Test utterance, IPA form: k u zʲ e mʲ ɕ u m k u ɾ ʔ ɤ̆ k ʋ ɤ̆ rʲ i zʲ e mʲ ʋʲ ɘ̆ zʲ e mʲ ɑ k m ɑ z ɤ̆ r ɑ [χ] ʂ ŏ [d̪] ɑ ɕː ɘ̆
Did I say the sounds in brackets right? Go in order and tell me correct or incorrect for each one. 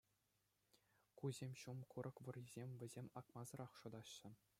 correct, correct

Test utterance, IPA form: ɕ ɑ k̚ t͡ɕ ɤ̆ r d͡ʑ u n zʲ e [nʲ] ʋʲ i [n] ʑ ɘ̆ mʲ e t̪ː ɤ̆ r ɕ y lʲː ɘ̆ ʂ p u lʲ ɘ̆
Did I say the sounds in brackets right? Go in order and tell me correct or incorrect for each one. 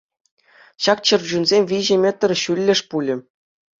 incorrect: mʲ, incorrect: none

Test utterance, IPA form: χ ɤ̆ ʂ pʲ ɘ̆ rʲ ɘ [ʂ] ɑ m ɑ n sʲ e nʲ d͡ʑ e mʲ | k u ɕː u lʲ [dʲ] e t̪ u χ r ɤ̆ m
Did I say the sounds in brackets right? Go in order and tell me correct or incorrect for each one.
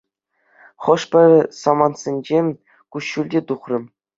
incorrect: s, correct

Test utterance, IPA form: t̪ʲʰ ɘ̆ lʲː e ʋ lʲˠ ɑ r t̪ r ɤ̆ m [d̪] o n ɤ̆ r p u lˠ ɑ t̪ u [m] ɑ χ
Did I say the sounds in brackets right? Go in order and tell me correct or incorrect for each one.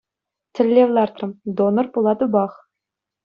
correct, incorrect: b

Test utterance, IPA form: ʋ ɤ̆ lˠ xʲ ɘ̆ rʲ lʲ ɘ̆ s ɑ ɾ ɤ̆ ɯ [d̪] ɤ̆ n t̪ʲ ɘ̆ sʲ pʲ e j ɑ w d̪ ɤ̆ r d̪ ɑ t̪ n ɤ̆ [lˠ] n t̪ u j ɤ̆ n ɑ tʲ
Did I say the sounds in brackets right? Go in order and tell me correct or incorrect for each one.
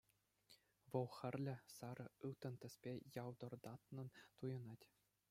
incorrect: t̪, incorrect: none

